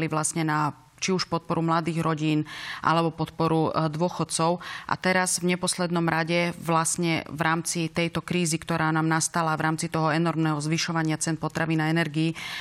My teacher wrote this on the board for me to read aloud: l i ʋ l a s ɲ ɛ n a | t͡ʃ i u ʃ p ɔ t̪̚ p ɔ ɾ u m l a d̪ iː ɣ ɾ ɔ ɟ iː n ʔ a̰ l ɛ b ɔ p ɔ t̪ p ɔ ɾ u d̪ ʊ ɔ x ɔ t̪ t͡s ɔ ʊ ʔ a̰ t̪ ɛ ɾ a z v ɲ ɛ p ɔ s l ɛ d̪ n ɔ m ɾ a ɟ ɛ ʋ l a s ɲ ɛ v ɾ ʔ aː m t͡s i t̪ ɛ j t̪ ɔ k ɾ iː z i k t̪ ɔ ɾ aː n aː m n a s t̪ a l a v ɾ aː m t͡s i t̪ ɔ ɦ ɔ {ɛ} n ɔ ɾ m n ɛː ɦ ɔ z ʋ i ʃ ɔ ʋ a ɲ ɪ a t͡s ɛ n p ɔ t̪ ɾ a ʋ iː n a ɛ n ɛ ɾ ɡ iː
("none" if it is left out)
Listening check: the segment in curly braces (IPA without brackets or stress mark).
ɛ